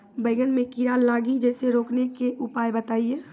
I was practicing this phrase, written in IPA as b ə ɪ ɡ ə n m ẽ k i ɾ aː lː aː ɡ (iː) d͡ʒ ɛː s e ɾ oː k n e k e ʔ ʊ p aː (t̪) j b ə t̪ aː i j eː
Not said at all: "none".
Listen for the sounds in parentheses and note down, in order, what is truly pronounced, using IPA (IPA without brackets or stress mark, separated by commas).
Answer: i, none